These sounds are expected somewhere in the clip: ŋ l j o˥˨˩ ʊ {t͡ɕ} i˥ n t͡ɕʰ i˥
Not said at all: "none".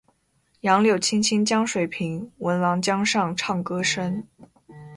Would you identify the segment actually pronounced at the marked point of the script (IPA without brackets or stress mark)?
t͡ɕʰ